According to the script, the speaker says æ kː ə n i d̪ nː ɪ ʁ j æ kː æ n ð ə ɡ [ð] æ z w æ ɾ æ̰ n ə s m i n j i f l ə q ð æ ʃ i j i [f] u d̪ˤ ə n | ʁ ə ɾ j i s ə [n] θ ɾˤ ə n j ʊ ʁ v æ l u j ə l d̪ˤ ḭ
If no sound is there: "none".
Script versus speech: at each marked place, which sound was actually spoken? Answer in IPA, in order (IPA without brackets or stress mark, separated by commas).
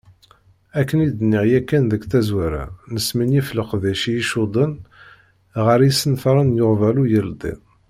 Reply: θ, ʃ, n